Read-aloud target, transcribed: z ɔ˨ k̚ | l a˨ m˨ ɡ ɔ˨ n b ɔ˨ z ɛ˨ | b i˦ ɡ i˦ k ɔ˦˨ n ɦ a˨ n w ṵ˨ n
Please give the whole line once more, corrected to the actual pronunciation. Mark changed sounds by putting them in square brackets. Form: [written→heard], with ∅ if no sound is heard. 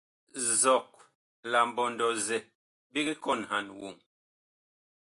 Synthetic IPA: z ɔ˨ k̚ | l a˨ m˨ [ɡ→b] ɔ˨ n [b→d] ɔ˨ z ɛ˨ | b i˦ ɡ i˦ k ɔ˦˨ n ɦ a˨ n w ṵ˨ [n→ŋ]